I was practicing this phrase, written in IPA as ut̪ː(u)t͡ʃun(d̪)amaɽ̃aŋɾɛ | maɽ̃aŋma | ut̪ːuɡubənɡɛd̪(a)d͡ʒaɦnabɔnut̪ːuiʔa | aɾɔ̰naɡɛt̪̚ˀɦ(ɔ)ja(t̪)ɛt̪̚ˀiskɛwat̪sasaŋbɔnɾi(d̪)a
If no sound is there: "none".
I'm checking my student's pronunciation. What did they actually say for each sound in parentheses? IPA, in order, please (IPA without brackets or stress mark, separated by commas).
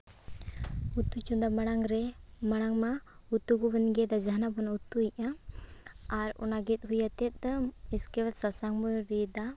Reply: u, d̪, a, u, t̪, d̪